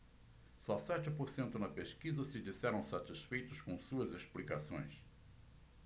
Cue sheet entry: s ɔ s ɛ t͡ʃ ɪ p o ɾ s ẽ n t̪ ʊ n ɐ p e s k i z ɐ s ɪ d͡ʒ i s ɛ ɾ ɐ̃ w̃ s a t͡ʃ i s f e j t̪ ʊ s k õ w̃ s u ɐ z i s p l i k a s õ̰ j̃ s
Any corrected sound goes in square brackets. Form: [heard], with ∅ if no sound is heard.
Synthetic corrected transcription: s ɔ s ɛ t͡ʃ ɪ p o ɾ s ẽ n t̪ ʊ n ɐ p e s k i z ɐ s ɪ d͡ʒ i s ɛ ɾ ɐ̃ w̃ s a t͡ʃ i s f e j t̪ ʊ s k õ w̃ s u ɐ z [e] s p l i k a s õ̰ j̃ s